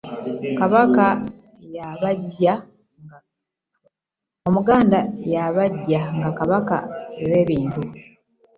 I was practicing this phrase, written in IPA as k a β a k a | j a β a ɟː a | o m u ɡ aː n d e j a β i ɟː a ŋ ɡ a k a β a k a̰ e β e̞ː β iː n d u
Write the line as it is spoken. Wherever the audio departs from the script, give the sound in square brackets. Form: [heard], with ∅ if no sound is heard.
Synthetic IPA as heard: k a β a k a | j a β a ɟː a | o m u ɡ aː n d [a] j a β [a] ɟː a ŋ ɡ a k a β a k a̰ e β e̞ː β iː n [t] u

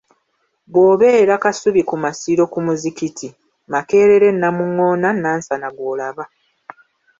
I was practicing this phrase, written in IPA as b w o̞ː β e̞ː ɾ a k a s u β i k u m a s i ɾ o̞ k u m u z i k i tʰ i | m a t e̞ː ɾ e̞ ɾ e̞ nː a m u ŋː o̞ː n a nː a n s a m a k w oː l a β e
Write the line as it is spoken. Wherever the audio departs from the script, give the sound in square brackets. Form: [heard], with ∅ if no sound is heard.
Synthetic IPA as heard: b w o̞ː β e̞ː ɾ a k a s u β i k u m a s i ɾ o̞ k u m u z i k i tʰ i | m a [k] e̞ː ɾ e̞ ɾ e̞ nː a m u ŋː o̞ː n a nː a n s a [n] a [ɡ] w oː l a β [a]

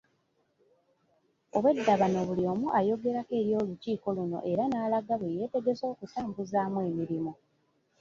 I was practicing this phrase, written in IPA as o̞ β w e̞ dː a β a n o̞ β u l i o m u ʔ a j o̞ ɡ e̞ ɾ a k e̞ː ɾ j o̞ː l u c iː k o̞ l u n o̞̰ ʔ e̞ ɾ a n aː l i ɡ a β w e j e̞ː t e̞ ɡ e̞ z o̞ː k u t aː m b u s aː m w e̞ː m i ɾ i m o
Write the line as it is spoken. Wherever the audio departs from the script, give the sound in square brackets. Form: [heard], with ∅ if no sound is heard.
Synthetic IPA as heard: o̞ β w e̞ dː a β a n o̞ β u l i o m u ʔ a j o̞ ɡ e̞ ɾ a k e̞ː ɾ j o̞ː l u c iː k o̞ l u n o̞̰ ʔ e̞ ɾ a n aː l [a] ɡ a β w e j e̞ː t e̞ ɡ e̞ z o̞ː k u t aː m b u [z] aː m w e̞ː m i ɾ i m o

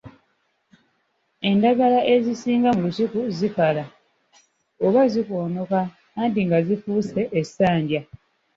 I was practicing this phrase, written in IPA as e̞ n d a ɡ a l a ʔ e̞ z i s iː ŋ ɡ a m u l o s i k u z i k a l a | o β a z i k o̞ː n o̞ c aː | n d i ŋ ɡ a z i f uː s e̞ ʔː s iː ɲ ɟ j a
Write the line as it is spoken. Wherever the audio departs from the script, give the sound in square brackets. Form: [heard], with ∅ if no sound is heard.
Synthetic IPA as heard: e̞ n d a ɡ a l a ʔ e̞ z i s iː ŋ ɡ a m u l [u] s i k u z i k a l a | o β a z i k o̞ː n o̞ [k] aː | n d i ŋ ɡ a z i f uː s e̞ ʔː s [aː] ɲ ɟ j a

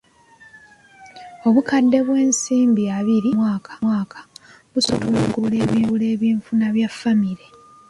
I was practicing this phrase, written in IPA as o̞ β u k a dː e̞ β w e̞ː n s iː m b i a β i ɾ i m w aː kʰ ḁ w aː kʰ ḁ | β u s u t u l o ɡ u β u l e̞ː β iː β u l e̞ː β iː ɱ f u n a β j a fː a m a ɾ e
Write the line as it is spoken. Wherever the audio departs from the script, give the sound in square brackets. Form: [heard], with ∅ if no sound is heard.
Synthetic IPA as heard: o̞ β u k a dː e̞ β w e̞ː n s iː m b i a β i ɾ i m w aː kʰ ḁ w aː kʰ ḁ | β u s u t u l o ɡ u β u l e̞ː β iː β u l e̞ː β iː ɱ f u n a β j a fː a m [i] ɾ e

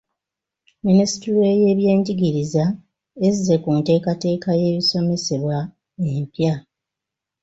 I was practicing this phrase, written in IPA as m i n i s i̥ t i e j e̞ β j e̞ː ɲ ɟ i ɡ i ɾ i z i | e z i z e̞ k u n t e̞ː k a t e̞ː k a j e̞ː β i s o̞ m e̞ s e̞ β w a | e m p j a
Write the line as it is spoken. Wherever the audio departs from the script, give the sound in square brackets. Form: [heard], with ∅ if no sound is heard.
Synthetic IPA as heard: m i n i s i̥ t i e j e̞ β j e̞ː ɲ ɟ i ɡ i ɾ i z [a] | e z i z e̞ k u n t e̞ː k a t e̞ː k a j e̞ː β i s o̞ m e̞ s e̞ β w a | e m p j a

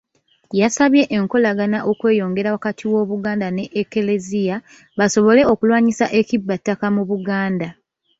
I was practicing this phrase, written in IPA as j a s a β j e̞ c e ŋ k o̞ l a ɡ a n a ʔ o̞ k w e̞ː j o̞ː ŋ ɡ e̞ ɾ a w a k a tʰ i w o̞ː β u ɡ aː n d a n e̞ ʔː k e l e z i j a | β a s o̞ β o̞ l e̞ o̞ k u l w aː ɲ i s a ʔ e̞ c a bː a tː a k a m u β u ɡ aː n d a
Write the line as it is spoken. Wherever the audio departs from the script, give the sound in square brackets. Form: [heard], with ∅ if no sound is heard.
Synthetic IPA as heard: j a s a β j e̞ [ʔ] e ŋ k o̞ l a ɡ a n a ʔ o̞ k w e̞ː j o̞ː ŋ ɡ e̞ ɾ a w a k a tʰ i w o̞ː β u ɡ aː n d a n e̞ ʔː k e l e z i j a | β a s o̞ β o̞ l e̞ o̞ k u l w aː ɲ i s a ʔ e̞ c [i] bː a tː a k a m u β u ɡ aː n d a

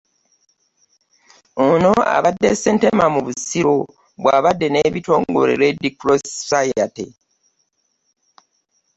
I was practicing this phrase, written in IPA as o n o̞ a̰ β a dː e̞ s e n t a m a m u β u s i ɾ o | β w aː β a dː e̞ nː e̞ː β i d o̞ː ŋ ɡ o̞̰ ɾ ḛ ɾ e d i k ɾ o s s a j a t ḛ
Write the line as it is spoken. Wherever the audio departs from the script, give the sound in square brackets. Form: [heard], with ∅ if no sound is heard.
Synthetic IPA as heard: o n o̞ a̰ β a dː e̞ s e n t [e] m a m u β u s i ɾ o | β w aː β a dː e̞ [n] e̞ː β i [t] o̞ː ŋ ɡ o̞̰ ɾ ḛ ɾ e d i k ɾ o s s a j a t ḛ

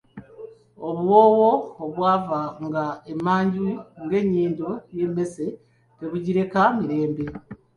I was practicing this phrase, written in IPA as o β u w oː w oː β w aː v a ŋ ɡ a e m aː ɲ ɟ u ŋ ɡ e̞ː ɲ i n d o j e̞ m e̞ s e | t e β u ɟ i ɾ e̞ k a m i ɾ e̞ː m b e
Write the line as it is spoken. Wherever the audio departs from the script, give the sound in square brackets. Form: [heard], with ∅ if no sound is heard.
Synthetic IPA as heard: o β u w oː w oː β w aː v a ŋ ɡ a e m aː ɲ ɟ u ŋ ɡ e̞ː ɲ [iː] n d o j e̞ m e̞ s e | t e β u ɟ i ɾ e̞ k a m i ɾ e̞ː m b e

